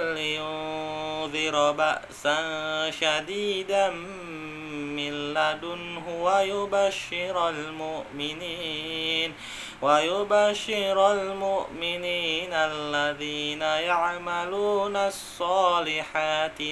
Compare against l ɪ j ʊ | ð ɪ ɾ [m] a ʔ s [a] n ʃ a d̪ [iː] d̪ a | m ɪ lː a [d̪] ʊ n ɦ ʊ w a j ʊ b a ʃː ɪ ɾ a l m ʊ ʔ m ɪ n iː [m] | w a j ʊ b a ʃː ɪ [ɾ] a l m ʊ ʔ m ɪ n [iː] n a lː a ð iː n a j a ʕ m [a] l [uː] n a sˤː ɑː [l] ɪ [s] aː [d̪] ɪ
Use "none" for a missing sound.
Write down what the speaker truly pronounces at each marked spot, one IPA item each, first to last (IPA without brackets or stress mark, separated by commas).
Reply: b, a, iː, d̪, n, ɾ, iː, a, uː, l, ħ, t̪